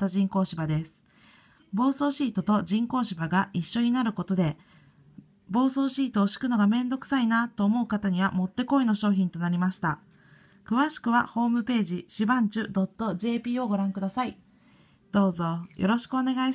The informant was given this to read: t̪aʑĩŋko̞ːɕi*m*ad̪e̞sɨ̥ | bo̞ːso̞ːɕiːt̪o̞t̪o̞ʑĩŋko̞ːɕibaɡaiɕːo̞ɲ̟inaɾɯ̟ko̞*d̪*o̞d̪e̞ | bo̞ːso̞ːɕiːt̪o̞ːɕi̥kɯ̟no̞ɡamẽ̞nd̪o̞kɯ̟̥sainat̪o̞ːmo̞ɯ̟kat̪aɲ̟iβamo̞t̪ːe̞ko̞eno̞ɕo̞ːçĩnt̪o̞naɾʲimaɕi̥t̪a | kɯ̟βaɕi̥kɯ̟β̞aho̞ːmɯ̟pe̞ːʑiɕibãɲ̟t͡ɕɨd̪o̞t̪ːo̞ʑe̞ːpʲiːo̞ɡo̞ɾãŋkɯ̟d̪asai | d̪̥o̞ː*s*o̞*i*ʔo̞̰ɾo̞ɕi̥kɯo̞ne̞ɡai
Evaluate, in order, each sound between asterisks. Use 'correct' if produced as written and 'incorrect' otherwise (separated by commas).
incorrect, incorrect, incorrect, incorrect